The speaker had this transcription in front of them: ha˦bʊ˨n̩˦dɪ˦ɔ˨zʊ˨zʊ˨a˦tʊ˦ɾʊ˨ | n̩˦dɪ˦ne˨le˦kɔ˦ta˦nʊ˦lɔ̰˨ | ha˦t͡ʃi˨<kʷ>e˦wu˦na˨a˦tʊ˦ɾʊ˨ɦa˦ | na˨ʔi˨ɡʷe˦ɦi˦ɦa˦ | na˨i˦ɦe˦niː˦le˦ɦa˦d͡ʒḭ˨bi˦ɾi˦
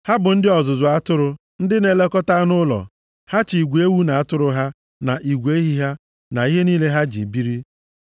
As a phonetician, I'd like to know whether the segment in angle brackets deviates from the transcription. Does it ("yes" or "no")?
yes